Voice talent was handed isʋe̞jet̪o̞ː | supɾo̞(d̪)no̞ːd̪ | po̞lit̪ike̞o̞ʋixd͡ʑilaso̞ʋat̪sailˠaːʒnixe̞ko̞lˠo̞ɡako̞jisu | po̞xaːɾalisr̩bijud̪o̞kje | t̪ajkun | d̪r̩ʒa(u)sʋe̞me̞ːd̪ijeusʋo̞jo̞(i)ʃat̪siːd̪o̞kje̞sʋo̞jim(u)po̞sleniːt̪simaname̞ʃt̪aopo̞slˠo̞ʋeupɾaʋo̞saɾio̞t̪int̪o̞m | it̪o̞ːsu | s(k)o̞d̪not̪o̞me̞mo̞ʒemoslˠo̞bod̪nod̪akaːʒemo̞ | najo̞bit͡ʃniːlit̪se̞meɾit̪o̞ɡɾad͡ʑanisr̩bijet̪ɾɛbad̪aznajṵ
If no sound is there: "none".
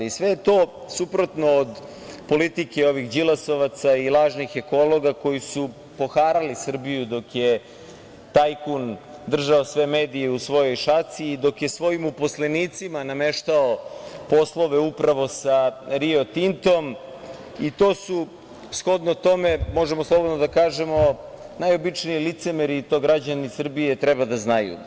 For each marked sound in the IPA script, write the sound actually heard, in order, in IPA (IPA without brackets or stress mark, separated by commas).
t̪, o, j, u, x